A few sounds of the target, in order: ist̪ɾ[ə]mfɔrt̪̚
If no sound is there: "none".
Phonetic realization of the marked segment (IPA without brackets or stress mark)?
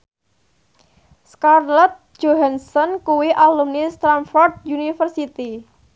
a